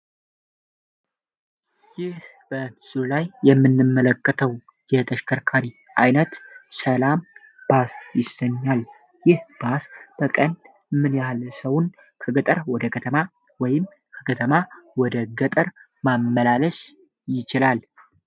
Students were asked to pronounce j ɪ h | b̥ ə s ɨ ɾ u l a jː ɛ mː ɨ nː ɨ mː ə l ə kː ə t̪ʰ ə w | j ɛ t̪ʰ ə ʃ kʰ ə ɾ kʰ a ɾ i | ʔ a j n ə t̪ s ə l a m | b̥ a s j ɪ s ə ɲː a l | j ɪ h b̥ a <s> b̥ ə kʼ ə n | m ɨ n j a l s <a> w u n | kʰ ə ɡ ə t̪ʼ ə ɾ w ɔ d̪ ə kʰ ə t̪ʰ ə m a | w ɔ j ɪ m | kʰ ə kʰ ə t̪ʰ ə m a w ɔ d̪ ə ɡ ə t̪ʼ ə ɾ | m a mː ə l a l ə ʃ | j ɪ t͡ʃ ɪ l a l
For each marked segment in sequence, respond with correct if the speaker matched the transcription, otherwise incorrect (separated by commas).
correct, incorrect